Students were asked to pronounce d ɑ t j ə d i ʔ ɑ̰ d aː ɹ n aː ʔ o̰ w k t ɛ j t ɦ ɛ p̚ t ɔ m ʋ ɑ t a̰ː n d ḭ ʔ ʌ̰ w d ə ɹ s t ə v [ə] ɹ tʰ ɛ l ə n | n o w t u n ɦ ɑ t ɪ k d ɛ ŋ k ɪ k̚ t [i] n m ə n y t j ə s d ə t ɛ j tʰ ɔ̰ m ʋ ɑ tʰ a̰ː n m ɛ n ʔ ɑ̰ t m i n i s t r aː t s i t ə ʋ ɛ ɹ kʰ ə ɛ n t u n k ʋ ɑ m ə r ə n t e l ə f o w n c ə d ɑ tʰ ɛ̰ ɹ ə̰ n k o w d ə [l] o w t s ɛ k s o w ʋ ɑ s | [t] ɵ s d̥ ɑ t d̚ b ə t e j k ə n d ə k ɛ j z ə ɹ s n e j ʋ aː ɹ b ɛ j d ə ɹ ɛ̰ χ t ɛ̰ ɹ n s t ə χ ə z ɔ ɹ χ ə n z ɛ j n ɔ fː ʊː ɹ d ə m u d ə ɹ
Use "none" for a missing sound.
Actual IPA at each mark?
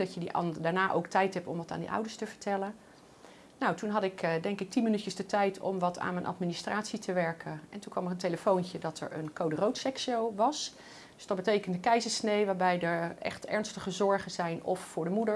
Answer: ə, i, r, d

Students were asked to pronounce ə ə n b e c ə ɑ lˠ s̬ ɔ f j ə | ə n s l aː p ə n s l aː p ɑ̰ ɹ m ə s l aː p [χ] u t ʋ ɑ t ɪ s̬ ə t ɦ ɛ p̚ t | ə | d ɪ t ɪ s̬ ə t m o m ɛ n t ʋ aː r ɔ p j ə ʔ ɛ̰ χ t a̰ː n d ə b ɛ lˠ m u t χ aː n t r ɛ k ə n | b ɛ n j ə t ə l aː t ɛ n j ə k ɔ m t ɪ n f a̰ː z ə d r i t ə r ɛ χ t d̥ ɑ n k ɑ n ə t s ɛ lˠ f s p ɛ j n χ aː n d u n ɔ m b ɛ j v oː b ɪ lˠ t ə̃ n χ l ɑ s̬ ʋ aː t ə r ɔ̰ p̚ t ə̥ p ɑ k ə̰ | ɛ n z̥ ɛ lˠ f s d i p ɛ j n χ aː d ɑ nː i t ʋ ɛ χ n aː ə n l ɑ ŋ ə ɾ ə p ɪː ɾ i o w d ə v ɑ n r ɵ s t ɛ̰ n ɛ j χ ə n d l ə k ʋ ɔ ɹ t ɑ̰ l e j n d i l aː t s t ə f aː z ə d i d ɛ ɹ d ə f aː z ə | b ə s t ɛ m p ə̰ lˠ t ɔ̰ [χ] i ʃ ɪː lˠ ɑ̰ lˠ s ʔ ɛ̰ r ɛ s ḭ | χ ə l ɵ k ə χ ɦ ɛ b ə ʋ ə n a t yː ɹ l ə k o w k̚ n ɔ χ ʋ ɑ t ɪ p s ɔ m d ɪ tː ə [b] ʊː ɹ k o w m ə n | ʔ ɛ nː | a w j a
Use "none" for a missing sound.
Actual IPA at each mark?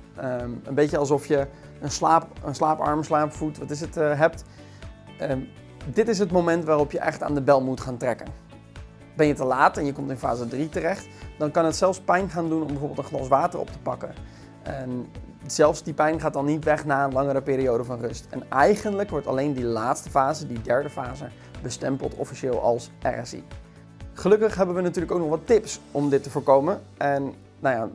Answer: f, f, v

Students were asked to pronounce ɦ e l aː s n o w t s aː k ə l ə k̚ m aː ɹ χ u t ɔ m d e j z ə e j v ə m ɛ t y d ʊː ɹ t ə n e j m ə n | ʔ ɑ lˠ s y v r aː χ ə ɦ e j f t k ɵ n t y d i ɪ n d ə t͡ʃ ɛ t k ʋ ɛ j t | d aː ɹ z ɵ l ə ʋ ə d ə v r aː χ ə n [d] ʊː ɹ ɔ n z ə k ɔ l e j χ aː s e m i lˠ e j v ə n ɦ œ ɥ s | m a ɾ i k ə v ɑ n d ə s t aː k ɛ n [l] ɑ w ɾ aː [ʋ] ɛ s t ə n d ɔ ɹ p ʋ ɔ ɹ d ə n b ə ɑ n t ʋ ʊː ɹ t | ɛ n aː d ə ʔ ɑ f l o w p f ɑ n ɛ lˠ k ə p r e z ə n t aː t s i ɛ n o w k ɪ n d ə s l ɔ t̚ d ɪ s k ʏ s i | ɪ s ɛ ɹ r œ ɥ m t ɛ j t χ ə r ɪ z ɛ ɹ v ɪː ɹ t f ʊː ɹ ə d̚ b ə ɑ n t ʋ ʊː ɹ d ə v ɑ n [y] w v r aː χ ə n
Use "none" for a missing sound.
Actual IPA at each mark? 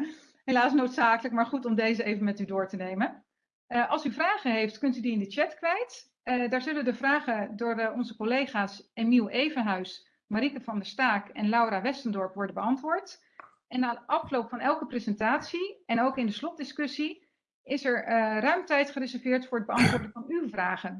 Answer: d, l, ʋ, y

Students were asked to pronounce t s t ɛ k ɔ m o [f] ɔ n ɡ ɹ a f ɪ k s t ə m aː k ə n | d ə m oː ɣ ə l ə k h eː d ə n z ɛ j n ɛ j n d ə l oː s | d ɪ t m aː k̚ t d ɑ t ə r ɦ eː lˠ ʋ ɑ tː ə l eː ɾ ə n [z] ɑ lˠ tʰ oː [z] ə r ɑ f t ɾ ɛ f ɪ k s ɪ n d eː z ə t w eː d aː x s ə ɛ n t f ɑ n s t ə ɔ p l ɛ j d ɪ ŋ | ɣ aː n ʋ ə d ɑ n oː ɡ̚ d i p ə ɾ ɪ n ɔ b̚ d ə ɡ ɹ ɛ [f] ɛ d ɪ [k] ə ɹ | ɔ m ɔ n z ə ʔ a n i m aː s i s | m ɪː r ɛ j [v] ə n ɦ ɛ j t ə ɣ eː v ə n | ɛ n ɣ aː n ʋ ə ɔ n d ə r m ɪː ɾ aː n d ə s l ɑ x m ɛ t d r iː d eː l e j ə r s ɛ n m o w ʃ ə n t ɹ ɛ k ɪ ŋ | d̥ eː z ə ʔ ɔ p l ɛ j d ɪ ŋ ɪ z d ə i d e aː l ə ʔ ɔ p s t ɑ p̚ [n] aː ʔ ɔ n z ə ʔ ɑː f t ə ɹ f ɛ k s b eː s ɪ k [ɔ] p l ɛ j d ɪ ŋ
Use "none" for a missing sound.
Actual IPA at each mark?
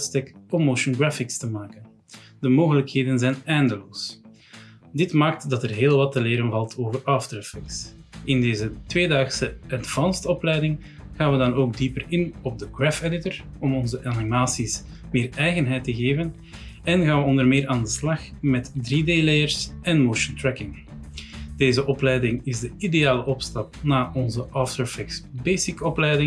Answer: ʃ, v, v, f, t, ɣ, n, ɔ

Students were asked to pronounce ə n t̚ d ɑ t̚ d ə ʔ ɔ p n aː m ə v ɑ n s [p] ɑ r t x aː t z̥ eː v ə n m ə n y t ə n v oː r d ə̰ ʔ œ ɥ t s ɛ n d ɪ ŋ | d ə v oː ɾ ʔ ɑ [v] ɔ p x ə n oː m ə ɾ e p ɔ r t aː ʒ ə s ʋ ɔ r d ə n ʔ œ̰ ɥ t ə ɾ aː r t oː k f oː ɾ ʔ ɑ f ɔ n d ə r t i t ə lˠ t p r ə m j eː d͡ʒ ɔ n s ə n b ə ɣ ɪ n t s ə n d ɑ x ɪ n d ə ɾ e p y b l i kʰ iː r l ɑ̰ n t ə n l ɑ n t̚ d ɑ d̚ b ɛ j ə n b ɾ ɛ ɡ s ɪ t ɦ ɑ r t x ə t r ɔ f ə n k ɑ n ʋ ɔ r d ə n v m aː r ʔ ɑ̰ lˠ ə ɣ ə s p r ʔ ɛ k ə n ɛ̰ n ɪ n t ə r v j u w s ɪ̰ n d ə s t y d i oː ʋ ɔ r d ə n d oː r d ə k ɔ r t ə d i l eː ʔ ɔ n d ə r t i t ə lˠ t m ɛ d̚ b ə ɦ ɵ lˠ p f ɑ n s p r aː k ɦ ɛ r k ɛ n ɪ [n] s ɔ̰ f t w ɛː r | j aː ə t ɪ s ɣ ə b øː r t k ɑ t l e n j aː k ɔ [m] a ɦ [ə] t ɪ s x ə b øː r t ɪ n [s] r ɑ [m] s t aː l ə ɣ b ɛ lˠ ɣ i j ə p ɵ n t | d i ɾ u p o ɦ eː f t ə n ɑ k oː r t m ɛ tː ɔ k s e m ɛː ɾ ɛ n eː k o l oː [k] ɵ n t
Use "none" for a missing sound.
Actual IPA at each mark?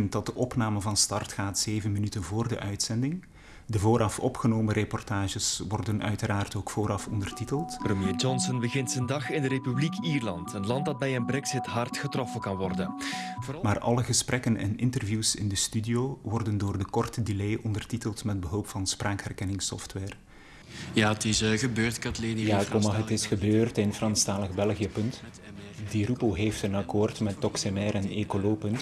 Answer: t, f, ŋ, m, ə, f, n, p

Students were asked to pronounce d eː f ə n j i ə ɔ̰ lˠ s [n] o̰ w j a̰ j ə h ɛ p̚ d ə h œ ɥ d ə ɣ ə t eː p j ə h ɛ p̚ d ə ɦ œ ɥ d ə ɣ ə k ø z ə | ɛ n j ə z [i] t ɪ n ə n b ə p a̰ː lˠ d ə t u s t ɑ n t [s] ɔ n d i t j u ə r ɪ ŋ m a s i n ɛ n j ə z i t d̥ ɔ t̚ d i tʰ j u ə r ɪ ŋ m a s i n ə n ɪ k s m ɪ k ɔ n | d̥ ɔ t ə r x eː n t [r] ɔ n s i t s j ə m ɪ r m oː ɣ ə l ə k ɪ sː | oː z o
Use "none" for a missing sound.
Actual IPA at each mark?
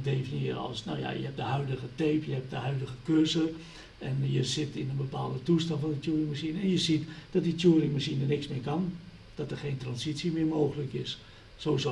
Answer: n, ɪ, f, r

